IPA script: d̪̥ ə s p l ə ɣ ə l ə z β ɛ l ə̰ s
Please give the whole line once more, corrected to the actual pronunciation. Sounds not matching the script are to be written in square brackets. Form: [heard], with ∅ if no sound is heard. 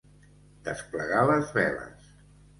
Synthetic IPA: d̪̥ ə s p l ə ɣ [a] l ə z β ɛ l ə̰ s